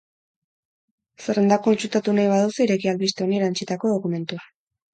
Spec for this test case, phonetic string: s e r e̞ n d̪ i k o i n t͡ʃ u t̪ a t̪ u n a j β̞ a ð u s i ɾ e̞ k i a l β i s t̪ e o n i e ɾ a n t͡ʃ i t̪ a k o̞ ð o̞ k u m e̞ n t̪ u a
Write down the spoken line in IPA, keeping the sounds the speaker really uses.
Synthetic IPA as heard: s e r e̞ n d̪ a k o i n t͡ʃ u t̪ a t̪ u n a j β̞ a ð u s i ɾ e̞ k i a l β i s t̪ e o n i e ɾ a n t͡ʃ i t̪ a k o̞ ð o̞ k u m e̞ n t̪ u a